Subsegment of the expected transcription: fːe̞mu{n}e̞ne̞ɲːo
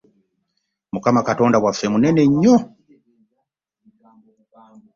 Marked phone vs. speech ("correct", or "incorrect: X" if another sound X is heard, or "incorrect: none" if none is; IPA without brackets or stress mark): correct